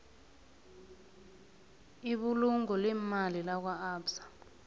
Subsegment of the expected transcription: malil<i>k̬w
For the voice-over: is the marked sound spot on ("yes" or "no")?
no